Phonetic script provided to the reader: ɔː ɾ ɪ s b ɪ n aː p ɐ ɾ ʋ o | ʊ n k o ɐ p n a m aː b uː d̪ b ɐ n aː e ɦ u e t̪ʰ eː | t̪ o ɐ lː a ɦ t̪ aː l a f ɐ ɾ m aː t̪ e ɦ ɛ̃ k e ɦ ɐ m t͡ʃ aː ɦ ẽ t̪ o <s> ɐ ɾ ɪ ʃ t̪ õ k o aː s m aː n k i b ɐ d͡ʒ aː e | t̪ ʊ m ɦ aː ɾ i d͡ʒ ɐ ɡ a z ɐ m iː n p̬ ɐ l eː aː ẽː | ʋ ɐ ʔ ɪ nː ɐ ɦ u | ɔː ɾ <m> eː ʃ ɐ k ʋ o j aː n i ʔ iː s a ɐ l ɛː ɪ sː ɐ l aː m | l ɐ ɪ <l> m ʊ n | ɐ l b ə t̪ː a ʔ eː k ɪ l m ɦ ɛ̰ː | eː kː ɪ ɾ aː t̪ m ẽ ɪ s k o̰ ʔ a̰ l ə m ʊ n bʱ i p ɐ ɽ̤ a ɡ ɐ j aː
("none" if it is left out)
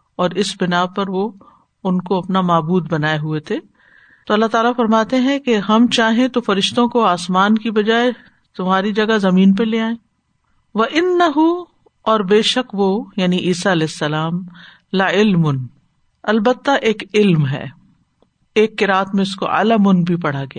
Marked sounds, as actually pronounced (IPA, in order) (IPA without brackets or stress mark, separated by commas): f, b, l